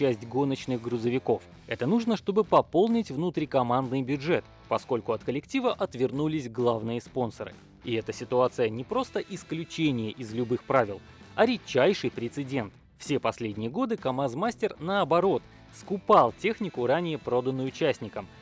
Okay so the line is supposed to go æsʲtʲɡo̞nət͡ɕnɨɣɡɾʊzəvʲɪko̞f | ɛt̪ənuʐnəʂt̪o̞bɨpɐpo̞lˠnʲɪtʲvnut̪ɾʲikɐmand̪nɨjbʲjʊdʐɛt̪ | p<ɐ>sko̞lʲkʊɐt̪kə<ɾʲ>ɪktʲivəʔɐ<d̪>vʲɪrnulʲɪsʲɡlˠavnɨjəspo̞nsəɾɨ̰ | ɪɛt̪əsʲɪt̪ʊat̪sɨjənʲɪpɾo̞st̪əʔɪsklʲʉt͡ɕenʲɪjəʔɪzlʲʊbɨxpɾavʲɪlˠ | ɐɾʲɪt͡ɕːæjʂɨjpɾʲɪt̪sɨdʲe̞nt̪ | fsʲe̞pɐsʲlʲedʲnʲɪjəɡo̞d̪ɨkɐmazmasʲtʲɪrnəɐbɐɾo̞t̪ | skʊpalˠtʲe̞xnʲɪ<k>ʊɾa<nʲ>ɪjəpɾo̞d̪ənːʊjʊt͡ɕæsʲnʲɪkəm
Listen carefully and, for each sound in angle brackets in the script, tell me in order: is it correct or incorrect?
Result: correct, incorrect, incorrect, correct, correct

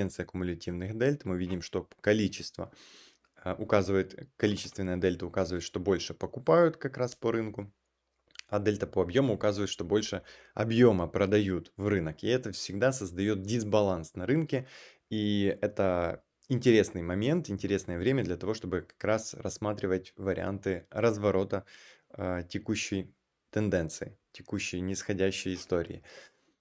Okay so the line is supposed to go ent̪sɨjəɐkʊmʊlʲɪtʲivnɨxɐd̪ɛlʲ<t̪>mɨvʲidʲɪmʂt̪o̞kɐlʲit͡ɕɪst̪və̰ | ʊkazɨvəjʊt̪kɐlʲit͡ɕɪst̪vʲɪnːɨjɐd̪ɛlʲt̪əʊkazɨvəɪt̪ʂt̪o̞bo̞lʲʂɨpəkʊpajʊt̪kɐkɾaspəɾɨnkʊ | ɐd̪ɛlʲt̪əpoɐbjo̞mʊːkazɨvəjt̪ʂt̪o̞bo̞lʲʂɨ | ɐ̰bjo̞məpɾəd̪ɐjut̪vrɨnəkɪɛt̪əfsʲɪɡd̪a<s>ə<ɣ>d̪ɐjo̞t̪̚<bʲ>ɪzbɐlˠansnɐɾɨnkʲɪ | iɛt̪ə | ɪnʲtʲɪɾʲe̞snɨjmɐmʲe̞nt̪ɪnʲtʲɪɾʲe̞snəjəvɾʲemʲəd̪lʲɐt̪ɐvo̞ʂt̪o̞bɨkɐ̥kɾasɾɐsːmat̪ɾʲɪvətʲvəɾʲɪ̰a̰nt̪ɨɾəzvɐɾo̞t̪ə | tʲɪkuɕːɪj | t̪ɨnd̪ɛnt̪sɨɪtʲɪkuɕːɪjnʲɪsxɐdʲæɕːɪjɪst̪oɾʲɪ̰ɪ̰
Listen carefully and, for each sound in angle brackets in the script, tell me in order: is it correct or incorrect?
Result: correct, correct, incorrect, incorrect

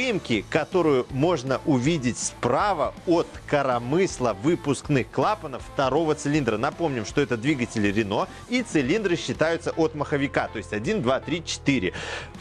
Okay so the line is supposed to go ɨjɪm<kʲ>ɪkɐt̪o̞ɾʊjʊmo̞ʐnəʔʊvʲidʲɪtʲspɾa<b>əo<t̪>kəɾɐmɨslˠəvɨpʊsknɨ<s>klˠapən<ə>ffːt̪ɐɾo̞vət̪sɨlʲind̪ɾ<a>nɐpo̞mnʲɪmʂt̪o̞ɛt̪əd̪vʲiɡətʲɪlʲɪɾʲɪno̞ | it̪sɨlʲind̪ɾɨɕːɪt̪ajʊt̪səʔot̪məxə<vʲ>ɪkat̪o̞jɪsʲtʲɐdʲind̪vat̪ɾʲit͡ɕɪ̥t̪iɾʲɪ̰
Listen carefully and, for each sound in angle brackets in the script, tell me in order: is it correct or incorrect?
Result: correct, incorrect, correct, incorrect, correct, incorrect, correct

